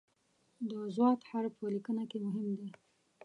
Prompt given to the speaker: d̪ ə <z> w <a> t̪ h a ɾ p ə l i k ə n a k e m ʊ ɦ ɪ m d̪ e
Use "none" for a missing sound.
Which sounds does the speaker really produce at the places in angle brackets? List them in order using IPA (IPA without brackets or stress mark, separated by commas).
z, ɑ